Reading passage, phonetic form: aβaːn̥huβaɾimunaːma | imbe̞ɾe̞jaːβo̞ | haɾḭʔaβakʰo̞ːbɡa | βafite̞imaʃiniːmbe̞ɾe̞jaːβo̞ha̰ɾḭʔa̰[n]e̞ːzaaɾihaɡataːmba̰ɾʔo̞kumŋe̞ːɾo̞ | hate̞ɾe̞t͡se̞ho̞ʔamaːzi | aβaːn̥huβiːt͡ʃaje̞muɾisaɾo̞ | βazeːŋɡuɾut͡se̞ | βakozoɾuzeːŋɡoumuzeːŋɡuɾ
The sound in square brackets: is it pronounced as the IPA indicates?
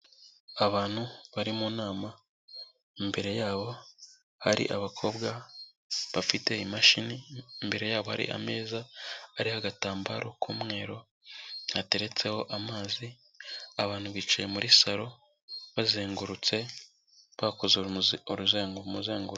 no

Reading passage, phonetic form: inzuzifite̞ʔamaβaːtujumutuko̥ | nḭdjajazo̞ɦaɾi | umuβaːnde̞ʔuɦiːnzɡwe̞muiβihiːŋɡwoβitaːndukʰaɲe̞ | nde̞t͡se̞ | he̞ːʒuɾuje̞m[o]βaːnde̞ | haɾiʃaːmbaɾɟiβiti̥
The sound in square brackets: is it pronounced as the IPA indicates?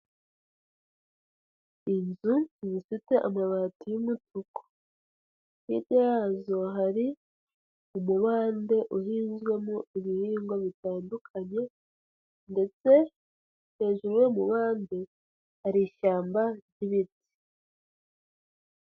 no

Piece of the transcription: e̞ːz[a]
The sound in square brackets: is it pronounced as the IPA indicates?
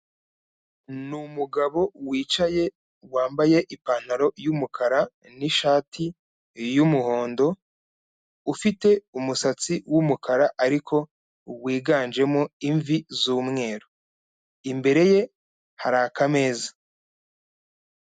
yes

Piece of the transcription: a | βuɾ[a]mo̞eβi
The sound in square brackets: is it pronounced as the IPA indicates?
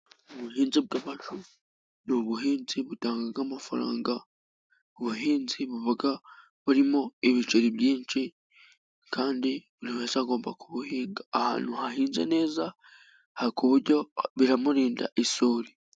no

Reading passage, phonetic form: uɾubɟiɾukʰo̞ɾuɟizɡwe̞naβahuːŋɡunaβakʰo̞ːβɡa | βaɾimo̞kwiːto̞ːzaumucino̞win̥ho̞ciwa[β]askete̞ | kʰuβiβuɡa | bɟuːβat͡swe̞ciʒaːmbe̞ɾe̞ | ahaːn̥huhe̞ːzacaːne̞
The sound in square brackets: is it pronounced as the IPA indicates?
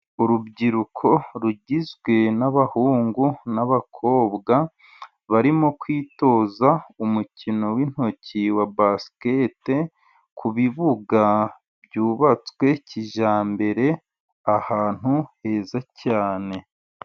no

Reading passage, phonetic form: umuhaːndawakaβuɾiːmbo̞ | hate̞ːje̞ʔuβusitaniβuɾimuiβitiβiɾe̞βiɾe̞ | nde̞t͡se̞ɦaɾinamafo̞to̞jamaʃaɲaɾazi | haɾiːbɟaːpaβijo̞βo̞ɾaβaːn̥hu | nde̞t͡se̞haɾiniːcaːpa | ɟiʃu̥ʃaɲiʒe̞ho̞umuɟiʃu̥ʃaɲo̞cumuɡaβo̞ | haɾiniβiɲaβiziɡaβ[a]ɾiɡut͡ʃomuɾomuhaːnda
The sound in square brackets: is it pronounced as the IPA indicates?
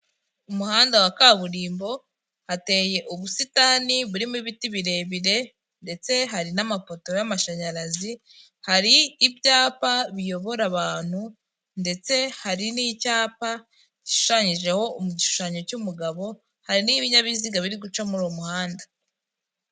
no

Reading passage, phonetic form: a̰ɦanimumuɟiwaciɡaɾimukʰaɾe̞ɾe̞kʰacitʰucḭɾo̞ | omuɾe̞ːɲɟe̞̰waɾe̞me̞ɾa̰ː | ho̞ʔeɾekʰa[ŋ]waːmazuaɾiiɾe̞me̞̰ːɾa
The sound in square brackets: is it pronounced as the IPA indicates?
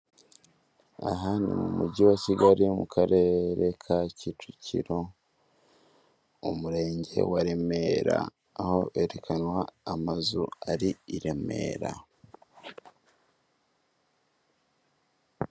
no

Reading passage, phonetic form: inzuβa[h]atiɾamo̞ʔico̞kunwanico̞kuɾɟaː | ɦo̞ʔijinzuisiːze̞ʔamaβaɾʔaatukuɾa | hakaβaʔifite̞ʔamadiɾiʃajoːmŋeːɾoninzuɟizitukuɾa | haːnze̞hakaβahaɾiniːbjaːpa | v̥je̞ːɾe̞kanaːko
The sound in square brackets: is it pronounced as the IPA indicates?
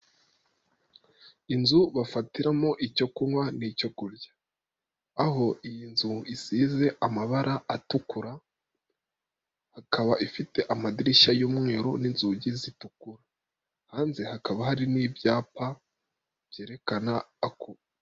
no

